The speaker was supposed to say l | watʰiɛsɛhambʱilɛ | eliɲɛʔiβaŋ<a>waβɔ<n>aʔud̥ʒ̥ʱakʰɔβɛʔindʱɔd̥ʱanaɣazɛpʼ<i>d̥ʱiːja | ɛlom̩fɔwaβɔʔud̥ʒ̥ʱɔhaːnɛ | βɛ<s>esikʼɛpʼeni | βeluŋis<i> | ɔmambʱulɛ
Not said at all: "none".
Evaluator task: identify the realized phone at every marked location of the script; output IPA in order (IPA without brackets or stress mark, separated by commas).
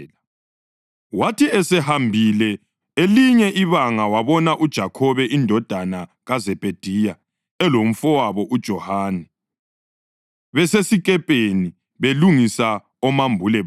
a, n, e, s, a